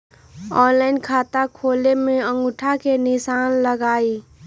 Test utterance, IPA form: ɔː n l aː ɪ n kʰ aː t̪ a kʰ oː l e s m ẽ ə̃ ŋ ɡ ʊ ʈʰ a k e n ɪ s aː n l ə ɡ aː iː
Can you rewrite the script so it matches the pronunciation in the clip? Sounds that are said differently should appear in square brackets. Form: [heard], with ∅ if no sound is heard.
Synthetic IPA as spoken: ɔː n l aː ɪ n kʰ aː t̪ a kʰ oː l e [∅] m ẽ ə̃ ŋ ɡ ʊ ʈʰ a k e n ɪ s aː n l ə ɡ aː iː